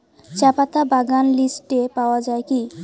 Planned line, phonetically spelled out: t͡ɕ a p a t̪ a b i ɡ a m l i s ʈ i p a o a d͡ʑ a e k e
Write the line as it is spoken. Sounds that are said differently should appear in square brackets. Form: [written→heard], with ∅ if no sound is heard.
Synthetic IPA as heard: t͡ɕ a p a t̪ a b [i→a] ɡ a [m→n] l i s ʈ [i→e] p a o a d͡ʑ a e k [e→i]